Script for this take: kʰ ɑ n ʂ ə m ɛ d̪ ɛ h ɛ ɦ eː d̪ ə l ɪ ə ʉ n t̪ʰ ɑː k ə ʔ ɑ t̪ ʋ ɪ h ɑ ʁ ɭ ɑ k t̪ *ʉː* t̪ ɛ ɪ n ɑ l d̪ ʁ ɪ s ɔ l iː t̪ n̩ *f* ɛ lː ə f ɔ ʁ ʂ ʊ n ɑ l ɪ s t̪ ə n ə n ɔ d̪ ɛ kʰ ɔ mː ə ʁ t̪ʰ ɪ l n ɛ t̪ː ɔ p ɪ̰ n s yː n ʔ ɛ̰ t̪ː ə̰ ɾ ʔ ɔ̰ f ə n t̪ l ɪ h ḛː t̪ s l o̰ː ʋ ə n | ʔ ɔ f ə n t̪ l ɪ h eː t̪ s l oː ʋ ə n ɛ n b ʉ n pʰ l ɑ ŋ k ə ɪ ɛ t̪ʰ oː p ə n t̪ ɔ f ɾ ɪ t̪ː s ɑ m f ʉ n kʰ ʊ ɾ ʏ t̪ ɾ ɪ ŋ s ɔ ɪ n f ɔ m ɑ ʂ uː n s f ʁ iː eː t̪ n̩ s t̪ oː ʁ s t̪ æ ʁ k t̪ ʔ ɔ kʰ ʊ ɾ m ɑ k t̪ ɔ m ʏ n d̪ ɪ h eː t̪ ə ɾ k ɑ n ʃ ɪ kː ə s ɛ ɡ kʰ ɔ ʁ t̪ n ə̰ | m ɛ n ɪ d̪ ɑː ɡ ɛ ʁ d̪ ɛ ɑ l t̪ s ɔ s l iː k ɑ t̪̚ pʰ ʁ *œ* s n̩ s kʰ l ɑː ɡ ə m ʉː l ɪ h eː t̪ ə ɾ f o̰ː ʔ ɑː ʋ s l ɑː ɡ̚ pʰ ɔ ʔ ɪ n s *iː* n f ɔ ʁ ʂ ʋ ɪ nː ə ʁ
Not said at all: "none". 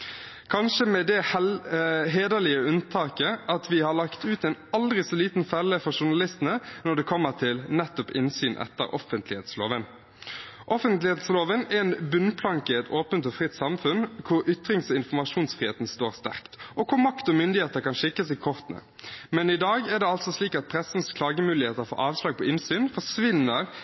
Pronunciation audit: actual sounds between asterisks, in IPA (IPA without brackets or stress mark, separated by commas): ʉː, f, ɛ, yː